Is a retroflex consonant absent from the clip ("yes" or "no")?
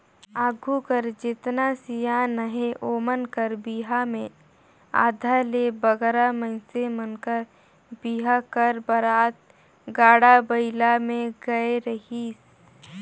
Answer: no